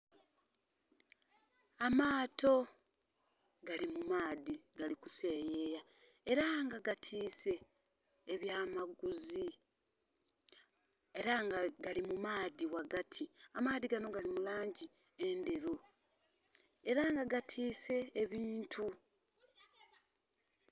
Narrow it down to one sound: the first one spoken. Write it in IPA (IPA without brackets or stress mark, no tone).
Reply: a